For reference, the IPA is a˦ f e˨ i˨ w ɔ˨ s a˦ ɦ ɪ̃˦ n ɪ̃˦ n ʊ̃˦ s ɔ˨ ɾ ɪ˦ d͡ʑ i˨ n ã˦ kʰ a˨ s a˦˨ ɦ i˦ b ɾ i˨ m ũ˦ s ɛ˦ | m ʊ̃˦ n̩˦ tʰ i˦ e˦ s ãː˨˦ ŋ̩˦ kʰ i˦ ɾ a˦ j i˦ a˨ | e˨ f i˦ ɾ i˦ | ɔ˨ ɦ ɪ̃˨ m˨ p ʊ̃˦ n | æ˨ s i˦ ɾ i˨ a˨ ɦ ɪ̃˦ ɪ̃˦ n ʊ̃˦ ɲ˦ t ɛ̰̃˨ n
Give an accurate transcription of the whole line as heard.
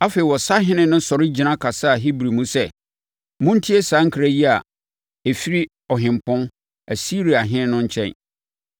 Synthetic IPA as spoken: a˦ f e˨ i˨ w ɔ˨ s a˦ ɦ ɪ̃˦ n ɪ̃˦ n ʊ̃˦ s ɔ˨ ɾ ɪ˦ d͡ʑ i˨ n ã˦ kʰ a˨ s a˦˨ ɦ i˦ b ɾ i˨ m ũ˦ s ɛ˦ | m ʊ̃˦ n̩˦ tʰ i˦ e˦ s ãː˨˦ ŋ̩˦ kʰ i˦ ɾ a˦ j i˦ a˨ | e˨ f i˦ ɾ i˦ | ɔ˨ ɦ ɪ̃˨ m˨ p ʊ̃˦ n | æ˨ s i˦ ɾ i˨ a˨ ɦ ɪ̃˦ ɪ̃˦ n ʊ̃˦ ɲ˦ t͡ɕʰ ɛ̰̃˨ n